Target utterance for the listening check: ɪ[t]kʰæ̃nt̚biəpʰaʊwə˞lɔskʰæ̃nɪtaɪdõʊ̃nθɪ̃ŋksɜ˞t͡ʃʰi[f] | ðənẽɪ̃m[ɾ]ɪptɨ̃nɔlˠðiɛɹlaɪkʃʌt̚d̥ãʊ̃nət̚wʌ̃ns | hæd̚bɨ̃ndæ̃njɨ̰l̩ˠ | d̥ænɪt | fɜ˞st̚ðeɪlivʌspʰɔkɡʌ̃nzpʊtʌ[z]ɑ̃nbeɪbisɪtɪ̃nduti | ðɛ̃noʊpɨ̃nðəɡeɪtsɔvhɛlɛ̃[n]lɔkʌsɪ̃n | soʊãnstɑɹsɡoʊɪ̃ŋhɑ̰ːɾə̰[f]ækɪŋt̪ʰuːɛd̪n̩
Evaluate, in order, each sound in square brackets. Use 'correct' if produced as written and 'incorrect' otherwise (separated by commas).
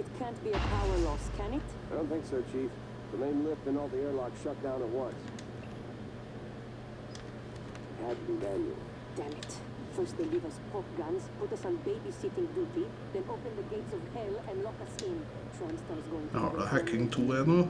correct, correct, incorrect, incorrect, correct, incorrect